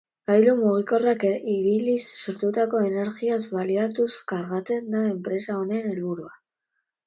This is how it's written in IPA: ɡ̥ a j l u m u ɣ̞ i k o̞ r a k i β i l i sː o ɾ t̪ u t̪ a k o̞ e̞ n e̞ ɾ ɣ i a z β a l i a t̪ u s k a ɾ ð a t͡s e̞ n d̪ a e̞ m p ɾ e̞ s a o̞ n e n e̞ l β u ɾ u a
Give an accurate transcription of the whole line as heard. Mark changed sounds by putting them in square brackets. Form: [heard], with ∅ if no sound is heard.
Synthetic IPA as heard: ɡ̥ a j l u m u ɣ̞ i k o̞ r a k i β i l i sː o ɾ t̪ u t̪ a k o̞ e̞ n e̞ ɾ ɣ i a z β a l i a t̪ u s k a ɾ [ɣ] a t͡s e̞ n d̪ a e̞ m p ɾ e̞ s a o̞ n e n e̞ l β u ɾ u a